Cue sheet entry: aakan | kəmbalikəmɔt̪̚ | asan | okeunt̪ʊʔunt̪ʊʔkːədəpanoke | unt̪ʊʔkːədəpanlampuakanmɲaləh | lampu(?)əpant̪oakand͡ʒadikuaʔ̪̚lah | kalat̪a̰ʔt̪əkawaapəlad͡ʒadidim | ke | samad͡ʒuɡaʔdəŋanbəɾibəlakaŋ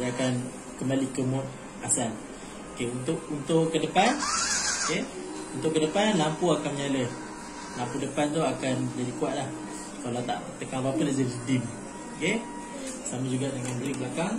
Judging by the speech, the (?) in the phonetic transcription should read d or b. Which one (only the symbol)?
d